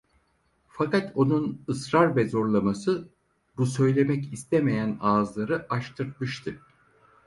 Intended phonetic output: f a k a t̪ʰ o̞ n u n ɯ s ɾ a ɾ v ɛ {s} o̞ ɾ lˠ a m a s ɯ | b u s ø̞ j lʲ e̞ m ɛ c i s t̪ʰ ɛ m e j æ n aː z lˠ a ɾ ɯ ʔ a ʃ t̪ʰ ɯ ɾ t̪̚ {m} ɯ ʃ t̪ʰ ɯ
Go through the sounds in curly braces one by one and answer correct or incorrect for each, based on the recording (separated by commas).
incorrect, correct